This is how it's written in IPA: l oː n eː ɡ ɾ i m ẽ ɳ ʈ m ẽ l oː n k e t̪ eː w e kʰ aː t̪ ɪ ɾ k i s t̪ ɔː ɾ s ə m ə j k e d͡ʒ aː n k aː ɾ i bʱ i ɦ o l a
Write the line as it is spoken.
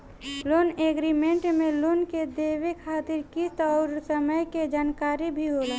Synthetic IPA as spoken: l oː n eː ɡ ɾ i m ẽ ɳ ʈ m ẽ l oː n k e d̪ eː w e kʰ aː t̪ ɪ ɾ k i s t̪ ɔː ɾ s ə m ə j k e d͡ʒ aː n k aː ɾ i bʱ i ɦ o l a